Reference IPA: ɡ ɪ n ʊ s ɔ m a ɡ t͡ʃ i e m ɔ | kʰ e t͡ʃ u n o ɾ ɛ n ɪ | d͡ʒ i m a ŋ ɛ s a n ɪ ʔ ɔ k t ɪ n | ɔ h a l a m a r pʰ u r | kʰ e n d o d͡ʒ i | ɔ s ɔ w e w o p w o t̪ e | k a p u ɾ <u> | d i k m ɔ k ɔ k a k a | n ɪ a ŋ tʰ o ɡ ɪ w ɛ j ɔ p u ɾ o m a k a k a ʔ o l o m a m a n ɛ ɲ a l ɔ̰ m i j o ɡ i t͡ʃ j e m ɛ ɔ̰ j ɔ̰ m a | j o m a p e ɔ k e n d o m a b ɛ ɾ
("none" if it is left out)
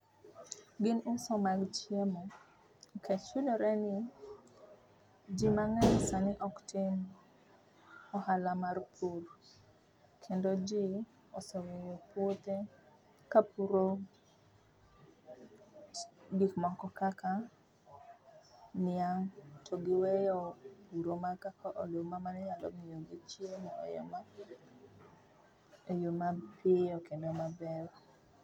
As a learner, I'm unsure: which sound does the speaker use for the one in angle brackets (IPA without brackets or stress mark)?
o